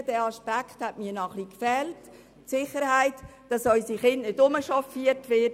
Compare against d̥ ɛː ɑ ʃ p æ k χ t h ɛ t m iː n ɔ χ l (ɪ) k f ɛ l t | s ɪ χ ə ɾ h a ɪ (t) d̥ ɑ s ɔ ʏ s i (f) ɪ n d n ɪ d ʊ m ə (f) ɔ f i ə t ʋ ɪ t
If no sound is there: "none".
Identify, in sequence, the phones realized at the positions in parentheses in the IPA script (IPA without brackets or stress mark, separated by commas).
i, t, χ, ʃ